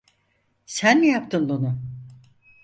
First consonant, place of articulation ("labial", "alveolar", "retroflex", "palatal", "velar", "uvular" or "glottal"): alveolar